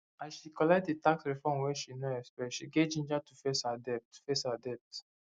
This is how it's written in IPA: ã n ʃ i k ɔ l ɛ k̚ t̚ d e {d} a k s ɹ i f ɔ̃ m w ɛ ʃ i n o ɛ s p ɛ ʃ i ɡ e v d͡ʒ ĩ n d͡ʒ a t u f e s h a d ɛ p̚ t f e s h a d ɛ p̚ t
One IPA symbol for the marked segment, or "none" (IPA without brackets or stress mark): t